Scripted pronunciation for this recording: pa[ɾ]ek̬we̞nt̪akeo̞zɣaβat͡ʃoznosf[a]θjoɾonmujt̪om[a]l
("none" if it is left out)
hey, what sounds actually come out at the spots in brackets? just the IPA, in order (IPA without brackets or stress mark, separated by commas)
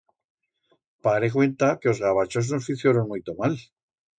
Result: ɾ, i, a